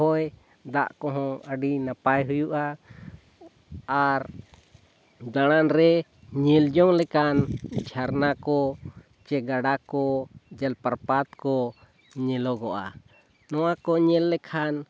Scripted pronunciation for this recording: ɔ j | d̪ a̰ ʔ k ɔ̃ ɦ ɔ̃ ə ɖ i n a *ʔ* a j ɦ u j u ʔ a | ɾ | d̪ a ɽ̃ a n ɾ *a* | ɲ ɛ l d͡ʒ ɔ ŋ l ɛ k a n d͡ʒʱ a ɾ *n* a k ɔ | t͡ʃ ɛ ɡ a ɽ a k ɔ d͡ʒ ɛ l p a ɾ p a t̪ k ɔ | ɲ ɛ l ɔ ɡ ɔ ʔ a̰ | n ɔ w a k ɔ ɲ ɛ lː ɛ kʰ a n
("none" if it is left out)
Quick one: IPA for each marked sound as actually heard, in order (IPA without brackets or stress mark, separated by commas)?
p, ɛ, n